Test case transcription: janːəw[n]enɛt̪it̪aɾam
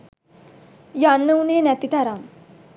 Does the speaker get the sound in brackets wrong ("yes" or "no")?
no